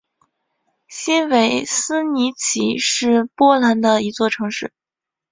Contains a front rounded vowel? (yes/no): no